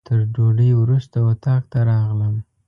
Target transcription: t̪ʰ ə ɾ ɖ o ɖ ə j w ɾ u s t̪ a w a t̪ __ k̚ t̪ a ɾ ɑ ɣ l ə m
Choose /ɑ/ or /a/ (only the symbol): ɑ